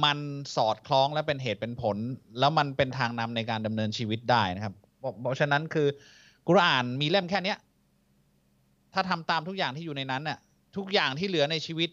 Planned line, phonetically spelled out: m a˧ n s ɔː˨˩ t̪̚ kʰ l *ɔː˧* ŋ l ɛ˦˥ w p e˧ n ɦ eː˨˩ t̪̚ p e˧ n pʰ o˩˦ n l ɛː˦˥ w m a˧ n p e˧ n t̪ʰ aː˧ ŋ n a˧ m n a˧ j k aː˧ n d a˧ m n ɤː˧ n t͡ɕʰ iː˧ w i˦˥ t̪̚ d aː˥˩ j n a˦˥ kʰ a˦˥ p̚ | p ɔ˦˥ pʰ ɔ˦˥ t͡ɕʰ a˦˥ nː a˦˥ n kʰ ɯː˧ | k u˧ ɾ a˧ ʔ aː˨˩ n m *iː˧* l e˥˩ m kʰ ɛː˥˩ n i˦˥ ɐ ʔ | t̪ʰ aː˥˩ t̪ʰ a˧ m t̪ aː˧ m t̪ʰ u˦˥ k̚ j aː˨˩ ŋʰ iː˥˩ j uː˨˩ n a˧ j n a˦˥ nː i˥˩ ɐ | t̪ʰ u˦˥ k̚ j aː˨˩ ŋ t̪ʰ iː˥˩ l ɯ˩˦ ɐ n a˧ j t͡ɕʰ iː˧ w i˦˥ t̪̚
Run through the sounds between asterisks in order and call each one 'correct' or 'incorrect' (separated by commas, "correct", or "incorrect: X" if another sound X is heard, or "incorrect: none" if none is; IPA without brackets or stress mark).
incorrect: ɔː˦˥, correct